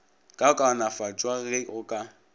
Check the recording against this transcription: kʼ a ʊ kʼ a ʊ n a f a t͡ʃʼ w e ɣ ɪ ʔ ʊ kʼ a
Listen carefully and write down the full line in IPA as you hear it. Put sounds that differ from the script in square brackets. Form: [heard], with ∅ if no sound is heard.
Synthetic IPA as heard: kʼ a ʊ kʼ a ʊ n a f a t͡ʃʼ w [a] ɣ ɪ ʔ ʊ kʼ a